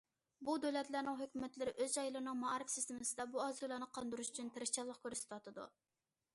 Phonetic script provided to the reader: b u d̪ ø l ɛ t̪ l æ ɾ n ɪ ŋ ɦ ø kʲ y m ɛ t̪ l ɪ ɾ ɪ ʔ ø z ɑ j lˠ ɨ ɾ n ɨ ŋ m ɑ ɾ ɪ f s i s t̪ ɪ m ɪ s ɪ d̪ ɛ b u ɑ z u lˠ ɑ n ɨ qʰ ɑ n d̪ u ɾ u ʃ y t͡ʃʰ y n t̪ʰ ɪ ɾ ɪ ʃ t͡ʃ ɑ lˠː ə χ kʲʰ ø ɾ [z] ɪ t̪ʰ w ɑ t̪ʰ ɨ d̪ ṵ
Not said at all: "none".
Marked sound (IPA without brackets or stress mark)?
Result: s